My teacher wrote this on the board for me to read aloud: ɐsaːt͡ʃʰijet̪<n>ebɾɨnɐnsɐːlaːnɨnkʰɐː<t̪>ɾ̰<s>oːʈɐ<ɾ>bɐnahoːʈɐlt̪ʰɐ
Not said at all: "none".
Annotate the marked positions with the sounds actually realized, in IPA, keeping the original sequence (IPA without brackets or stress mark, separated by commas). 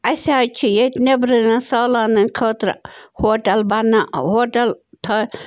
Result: n, t̪, h, l